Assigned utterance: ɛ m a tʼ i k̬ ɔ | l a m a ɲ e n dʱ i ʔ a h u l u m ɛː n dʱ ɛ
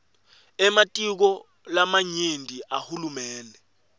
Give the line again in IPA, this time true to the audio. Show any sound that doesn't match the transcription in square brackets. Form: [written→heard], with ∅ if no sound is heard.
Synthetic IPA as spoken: ɛ m a tʼ i k̬ ɔ | l a m a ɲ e n dʱ i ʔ a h u l u m ɛː n dʱ ɛ

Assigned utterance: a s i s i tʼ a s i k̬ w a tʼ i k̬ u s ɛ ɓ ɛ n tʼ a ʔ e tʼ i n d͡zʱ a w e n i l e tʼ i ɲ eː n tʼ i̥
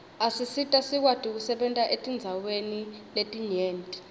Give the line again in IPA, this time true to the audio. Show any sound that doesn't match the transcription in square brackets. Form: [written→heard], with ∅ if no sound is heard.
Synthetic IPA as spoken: a s i s i tʼ a s i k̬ w a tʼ i k̬ u s ɛ ɓ ɛ n tʼ a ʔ e tʼ i n d͡zʱ a w e n i l e tʼ i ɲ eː n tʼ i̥

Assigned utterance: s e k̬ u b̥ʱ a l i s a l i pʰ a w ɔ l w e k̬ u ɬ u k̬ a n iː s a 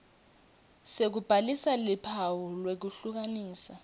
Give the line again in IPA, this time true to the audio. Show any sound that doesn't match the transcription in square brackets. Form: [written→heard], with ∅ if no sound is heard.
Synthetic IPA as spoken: s e k̬ u b̥ʱ a l i s a l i pʰ a w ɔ l w e k̬ u ɬ u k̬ a n iː s a

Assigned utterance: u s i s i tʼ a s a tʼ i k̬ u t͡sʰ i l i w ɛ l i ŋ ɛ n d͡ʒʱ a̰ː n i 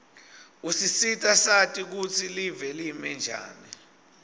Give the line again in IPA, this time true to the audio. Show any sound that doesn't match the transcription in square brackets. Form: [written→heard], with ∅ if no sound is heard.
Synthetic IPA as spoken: u s i s i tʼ a s a tʼ i k̬ u t͡sʰ i l i [w→v] ɛ l i [ŋ→m] ɛ n d͡ʒʱ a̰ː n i

